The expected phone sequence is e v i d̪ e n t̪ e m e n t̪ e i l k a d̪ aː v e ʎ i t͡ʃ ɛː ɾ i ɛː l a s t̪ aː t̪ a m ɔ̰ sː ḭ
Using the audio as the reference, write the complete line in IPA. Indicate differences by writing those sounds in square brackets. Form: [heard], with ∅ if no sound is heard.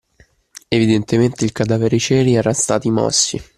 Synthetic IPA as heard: e v i d̪ e n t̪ e m e n t̪ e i l k a d̪ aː v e [ɾ] i t͡ʃ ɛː ɾ i ɛː [ɾ] a s t̪ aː t̪ [i] m ɔ̰ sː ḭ